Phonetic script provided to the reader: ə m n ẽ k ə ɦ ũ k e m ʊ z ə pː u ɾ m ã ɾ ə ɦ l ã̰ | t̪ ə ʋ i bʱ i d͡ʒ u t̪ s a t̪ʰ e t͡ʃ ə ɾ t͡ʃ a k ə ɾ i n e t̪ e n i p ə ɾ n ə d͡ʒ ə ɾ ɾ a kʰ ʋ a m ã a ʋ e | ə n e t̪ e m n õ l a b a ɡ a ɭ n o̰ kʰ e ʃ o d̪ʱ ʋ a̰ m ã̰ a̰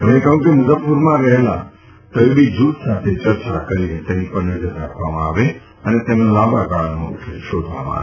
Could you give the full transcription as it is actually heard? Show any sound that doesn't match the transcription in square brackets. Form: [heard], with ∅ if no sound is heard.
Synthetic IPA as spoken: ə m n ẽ k ə ɦ ũ k e m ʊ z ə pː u ɾ m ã ɾ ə ɦ l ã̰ | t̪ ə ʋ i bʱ i d͡ʒ u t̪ s a t̪ʰ e t͡ʃ ə ɾ t͡ʃ a k ə ɾ i n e t̪ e n i p ə ɾ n ə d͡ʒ ə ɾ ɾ a kʰ ʋ a m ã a ʋ e | ə n e t̪ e m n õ l a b a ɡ a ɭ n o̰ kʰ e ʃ o d̪ʱ ʋ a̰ m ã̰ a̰